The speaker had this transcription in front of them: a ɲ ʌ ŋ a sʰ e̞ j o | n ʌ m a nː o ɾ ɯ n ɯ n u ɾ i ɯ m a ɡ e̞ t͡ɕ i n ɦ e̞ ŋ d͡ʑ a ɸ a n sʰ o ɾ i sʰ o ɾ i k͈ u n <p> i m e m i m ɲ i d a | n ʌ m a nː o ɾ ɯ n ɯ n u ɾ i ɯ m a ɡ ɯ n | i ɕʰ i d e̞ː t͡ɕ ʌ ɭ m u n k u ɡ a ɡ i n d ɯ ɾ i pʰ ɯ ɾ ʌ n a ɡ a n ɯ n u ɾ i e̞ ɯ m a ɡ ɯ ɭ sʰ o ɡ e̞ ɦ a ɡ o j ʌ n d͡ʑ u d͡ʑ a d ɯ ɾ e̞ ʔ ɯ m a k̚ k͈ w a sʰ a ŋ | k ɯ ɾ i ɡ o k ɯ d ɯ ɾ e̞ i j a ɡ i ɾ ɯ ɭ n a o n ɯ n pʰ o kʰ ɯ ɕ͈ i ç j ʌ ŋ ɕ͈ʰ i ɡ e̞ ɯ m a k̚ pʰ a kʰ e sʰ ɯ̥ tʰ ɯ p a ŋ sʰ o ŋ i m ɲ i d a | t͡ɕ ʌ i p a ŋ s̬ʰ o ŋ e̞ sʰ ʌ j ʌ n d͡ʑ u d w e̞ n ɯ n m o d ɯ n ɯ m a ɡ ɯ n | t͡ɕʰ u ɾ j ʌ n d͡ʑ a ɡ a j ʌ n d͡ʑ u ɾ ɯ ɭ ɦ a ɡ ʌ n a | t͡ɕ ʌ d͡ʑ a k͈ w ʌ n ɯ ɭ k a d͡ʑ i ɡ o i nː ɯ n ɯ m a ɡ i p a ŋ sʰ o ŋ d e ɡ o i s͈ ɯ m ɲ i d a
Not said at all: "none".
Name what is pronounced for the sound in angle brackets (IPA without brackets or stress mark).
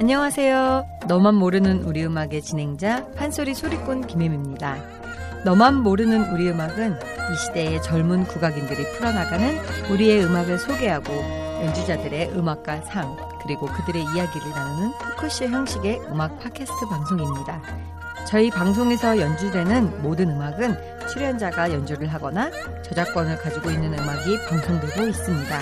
k